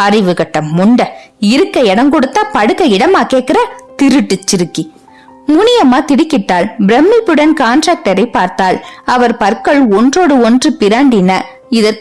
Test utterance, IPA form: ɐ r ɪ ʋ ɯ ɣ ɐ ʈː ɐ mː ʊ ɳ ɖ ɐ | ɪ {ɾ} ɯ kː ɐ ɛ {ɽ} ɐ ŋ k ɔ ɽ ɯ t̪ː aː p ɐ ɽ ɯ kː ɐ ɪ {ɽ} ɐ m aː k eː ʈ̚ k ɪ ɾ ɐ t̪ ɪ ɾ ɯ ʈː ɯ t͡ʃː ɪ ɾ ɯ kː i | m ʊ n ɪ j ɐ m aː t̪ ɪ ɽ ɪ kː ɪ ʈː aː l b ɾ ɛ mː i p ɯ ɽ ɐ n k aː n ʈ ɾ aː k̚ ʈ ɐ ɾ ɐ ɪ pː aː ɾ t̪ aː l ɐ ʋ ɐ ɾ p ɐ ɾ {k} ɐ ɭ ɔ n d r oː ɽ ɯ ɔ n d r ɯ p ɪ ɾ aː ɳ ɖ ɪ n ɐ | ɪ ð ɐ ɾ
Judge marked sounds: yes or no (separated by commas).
yes, yes, yes, yes